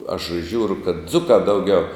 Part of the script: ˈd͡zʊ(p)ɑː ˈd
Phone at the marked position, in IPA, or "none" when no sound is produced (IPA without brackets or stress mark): k